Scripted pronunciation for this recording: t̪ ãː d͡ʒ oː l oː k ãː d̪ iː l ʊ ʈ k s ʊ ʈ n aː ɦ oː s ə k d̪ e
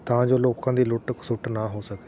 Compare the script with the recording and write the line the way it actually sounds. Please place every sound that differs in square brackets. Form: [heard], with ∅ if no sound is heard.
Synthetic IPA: t̪ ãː d͡ʒ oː l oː k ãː d̪ iː l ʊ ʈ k s ʊ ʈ n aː ɦ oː s ə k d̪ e